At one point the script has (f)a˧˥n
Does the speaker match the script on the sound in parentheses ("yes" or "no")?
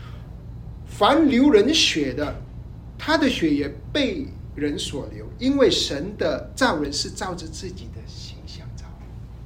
yes